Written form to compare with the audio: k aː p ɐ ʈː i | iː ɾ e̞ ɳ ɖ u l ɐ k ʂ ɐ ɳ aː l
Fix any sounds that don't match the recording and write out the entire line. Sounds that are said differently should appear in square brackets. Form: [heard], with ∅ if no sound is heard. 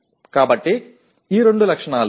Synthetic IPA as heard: k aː [b] ɐ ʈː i | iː ɾ e̞ ɳ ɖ u l ɐ k ʂ ɐ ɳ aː l